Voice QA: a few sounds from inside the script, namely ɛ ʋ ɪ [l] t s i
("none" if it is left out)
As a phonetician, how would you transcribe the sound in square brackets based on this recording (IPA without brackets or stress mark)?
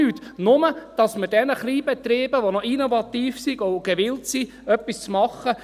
l